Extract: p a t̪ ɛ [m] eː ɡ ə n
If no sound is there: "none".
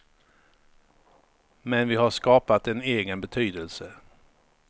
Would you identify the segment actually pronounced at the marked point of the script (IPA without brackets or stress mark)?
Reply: n